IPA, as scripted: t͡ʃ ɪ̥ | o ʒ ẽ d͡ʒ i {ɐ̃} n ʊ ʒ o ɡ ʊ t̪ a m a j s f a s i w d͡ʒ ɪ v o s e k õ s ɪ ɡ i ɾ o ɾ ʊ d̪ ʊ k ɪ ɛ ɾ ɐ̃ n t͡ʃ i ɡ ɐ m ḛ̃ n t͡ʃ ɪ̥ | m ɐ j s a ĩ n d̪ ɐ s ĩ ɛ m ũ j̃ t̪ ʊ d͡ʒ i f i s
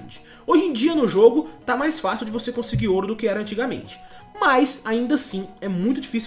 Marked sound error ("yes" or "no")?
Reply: yes